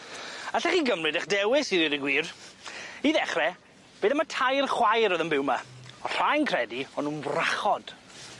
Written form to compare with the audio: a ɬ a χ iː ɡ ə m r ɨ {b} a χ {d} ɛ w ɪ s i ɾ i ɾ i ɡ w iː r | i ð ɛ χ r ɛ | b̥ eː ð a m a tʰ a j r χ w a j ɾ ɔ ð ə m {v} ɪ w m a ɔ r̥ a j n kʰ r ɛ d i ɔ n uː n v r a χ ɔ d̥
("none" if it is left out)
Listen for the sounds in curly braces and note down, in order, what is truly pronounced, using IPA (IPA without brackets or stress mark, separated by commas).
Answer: d, d, b